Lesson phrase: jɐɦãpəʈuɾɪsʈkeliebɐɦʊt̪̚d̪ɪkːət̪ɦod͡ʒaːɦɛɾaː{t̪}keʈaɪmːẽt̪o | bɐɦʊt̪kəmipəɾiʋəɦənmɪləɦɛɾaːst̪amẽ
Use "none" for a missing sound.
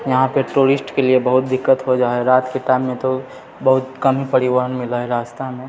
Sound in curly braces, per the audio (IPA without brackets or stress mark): t̪